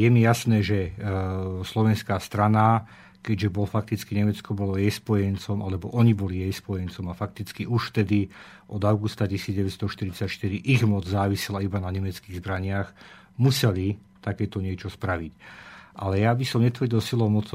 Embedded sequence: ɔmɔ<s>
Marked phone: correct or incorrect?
incorrect